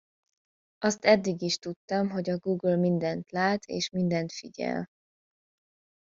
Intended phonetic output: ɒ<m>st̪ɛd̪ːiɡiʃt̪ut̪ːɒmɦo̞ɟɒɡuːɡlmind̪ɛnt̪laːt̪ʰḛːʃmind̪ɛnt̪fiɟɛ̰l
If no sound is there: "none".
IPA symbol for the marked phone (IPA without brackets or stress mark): none